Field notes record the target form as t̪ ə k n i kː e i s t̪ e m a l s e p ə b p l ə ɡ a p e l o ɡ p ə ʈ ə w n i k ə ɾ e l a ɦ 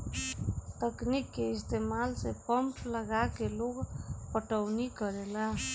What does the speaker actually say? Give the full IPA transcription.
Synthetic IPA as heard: t̪ ə k n i kː e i s t̪ e m a l s e p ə m p l ə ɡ a k e l o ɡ p ə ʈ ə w n i k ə ɾ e l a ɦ